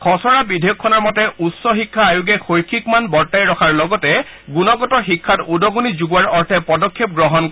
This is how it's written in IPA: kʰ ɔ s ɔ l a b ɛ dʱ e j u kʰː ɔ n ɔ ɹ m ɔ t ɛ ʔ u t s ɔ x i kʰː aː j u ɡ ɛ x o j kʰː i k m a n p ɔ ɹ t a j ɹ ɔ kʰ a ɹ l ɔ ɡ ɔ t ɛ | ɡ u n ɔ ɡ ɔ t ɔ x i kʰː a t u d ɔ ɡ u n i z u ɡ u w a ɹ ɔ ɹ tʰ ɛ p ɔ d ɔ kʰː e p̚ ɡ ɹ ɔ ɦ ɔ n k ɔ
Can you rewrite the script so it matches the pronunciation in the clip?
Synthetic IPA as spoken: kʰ ɔ s ɔ ɹ a b i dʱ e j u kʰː ɔ n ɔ ɹ m ɔ t ɛ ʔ u t s ɔ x i kʰː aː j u ɡ ɛ x o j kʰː i k m a n b ɔ ɹ t a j ɹ ɔ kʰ a ɹ l ɔ ɡ ɔ t ɛ | ɡ u n ɔ ɡ ɔ t ɔ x i kʰː a t u d ɔ ɡ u n i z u ɡ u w a ɹ ɔ ɹ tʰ ɛ p ɔ d ɔ kʰː e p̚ ɡ ɹ ɔ ɦ ɔ n k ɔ